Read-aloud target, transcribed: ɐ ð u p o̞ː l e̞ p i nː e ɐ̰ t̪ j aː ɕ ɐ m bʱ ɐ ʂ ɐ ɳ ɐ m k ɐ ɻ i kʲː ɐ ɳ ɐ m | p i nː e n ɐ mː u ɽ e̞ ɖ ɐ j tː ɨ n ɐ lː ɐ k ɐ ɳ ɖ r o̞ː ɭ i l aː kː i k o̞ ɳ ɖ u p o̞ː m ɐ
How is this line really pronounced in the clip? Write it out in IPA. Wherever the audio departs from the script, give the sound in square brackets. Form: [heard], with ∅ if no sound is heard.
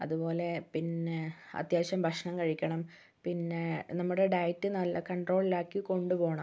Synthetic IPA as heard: ɐ ð u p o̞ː l e̞ p i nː e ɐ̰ t̪ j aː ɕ ɐ m bʱ ɐ ʂ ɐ ɳ ɐ m k ɐ ɻ i kʲː ɐ ɳ ɐ m | p i nː e n ɐ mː u ɽ e̞ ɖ ɐ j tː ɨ n ɐ lː ɐ k ɐ ɳ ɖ r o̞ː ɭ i l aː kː i k o̞ ɳ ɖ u p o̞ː [ɳ] ɐ